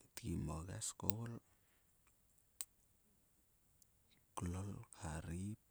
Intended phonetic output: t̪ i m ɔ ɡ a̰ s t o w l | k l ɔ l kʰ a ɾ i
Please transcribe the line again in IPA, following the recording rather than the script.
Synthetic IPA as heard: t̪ i m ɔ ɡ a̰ s k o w l | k l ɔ l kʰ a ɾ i